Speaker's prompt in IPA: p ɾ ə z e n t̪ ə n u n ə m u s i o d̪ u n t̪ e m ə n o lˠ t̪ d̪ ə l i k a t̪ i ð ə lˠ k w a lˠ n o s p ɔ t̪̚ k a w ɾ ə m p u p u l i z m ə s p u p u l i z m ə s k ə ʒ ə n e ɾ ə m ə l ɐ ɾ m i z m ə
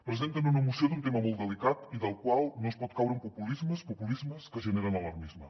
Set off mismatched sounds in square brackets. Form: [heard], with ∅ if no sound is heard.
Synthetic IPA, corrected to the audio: p ɾ ə z e n t̪ ə n u n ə m u s i o d̪ u n t̪ e m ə [m] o lˠ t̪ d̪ ə l i k a t̪ i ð ə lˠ k w a lˠ n o s p ɔ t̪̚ k a w ɾ ə m p u p u l i z m ə s p u p u l i z m ə s k ə ʒ ə n e ɾ ə [n] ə l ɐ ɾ m i z m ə